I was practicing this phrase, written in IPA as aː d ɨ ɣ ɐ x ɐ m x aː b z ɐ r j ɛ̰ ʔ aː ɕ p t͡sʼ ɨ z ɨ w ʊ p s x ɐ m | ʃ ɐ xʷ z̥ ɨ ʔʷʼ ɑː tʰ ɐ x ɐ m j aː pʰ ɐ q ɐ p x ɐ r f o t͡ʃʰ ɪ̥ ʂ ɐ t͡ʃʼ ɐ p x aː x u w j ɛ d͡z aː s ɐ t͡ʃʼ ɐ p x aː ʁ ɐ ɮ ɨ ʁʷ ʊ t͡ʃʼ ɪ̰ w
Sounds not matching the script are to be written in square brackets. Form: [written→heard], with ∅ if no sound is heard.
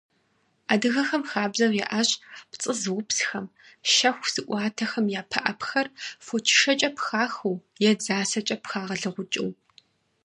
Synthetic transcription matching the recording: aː d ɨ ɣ ɐ x ɐ m x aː b z ɐ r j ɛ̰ ʔ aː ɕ p t͡sʼ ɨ z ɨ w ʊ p s x ɐ m | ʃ ɐ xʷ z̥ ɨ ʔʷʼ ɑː tʰ ɐ x ɐ m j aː pʰ ɐ [q→ʔ] ɐ p x ɐ r f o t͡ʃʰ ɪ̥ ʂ ɐ t͡ʃʼ ɐ p x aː x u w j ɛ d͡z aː s ɐ t͡ʃʼ ɐ p x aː ʁ ɐ ɮ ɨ ʁʷ ʊ t͡ʃʼ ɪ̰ w